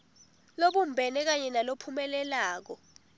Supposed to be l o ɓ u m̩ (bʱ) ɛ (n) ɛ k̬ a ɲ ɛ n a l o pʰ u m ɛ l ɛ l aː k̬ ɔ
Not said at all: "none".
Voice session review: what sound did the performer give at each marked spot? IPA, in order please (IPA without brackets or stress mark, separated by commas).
bʱ, n